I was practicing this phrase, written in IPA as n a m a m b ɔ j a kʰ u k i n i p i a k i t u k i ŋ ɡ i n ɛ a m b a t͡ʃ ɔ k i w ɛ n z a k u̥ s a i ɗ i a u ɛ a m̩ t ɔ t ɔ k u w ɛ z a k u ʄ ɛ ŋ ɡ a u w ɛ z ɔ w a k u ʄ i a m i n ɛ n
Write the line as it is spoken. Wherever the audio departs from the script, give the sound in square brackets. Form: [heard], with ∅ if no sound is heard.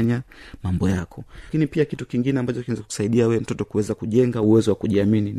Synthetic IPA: [ɲ] a m a m b ɔ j a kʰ [ɔ] k i n i p i a k i t u k i ŋ ɡ i n ɛ a m b a t͡ʃ ɔ k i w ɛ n z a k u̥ s a i ɗ i a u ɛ [ɛ] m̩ t ɔ t ɔ k u w ɛ z a k u ʄ ɛ ŋ ɡ a u w ɛ z ɔ w a k u ʄ i a m i n [i] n